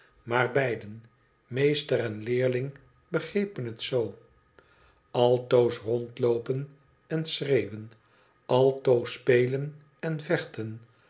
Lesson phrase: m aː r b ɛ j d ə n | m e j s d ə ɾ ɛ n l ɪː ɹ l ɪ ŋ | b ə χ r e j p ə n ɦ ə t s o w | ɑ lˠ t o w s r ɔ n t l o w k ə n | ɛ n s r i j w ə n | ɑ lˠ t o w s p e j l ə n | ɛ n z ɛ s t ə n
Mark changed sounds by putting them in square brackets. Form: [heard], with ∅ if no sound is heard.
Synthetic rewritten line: m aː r b ɛ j d ə n | m e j s [t] ə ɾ ɛ n l ɪː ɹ l ɪ ŋ | b ə χ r e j p ə n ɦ ə t s o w | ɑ lˠ t o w s r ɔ n t l o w [p] ə n | ɛ n s r [e] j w ə n | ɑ lˠ t o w s p e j l ə n | ɛ n [v] ɛ [χ] t ə n